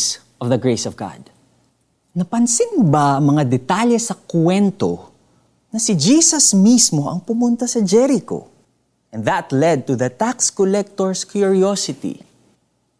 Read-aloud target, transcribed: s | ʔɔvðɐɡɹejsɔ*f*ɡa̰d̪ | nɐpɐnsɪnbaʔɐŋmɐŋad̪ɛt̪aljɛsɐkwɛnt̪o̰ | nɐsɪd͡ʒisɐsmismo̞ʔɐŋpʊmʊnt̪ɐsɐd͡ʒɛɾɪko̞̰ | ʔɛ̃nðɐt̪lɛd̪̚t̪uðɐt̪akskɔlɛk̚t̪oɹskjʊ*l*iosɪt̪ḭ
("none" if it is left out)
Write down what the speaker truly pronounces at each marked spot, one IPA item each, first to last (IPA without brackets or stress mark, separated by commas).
v, ɹ